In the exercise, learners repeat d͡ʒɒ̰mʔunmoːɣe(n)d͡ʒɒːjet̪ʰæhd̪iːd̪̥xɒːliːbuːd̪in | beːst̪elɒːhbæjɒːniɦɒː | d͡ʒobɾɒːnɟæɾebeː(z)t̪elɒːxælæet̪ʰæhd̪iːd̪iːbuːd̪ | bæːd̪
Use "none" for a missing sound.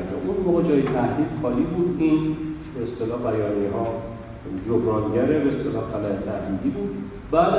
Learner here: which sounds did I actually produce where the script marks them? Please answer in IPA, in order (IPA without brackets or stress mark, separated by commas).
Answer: none, s